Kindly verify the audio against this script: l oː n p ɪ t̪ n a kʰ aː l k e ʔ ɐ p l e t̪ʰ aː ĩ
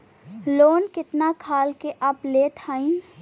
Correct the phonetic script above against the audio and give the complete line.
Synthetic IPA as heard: l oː n k ɪ t̪ n a kʰ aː l k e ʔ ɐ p l e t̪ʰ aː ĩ